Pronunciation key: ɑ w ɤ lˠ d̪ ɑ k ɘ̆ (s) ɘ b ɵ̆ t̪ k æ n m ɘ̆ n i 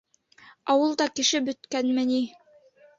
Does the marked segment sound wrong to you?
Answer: yes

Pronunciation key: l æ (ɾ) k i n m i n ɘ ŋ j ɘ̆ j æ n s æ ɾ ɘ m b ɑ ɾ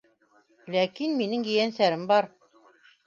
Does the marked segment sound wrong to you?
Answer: yes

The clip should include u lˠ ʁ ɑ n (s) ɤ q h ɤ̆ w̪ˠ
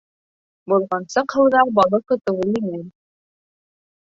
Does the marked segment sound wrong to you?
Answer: no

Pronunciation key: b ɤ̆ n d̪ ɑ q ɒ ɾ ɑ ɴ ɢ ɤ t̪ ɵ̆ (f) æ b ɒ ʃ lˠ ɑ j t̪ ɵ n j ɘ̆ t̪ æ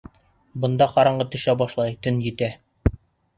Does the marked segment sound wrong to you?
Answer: yes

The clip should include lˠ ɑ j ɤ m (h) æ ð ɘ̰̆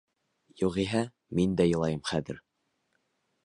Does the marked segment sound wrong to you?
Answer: yes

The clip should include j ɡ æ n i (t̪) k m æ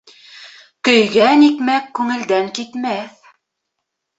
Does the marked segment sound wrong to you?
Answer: yes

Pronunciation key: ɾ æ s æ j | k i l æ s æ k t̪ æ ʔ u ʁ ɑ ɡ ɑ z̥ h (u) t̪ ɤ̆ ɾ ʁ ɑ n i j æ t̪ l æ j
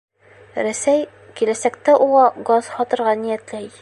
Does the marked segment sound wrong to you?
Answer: yes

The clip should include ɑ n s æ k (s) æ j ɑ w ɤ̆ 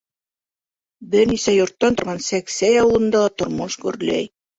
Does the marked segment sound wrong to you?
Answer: no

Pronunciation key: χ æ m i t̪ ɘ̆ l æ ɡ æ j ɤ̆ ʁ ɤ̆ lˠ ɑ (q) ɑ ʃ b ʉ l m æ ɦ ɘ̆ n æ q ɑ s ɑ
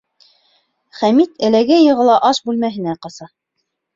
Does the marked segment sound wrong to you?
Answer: yes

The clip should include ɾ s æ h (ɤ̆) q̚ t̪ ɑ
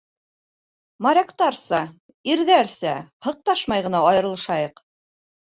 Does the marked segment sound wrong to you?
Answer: no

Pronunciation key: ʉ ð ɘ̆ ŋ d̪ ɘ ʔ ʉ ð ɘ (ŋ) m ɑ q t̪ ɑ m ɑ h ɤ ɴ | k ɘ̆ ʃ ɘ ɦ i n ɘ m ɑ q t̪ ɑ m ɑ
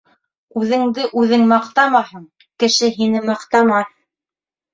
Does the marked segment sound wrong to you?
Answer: no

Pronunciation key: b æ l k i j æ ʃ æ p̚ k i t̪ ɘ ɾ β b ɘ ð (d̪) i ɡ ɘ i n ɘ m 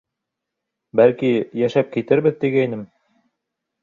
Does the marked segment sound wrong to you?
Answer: yes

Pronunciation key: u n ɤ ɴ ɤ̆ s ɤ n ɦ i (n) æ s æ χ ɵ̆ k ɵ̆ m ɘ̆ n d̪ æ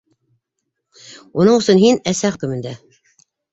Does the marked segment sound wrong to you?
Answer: no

